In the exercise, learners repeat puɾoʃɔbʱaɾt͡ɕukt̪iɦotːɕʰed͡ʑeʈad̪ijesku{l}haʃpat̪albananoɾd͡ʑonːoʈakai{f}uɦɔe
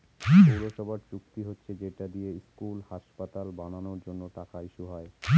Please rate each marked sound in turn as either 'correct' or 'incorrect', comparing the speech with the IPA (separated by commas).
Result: correct, incorrect